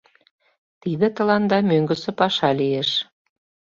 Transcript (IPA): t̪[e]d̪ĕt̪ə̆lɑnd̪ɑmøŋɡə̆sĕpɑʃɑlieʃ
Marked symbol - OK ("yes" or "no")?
no